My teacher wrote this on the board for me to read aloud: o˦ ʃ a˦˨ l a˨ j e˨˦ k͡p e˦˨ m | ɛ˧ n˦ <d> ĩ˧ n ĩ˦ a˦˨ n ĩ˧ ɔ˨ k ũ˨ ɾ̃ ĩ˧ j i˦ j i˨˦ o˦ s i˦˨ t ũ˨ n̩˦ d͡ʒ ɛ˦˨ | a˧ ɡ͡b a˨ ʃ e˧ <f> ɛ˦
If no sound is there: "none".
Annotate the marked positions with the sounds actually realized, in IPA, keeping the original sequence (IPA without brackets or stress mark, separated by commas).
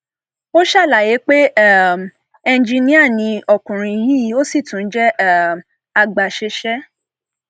d͡ʒ, ʃ